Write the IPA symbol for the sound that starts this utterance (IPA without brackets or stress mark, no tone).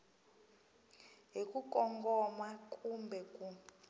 ɦ